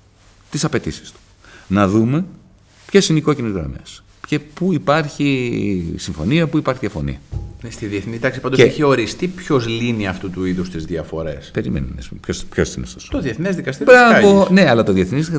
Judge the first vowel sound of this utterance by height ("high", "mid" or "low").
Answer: high